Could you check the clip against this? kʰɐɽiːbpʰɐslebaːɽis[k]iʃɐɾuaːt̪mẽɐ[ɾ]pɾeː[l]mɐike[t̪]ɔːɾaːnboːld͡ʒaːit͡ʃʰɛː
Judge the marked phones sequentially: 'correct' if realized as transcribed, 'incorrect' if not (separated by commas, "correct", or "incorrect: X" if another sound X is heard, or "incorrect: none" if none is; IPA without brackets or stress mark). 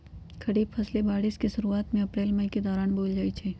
correct, incorrect: none, correct, incorrect: d̪